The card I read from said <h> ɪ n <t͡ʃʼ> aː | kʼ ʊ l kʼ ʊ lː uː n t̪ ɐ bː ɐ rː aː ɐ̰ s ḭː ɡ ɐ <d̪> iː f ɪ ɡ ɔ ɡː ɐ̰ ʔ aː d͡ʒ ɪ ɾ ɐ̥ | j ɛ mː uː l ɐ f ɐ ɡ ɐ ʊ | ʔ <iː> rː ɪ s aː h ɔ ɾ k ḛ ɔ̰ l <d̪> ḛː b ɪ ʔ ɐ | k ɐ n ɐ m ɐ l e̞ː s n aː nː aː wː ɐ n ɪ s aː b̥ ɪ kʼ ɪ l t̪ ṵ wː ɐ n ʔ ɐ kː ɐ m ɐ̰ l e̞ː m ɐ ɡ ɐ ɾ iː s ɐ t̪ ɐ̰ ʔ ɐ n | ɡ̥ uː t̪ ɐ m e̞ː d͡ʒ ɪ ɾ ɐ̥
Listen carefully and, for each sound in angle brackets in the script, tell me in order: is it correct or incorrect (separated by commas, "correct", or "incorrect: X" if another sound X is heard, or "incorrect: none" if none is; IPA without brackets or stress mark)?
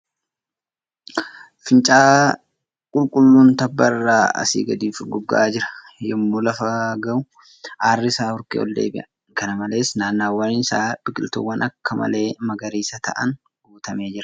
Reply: incorrect: f, correct, correct, incorrect: aː, correct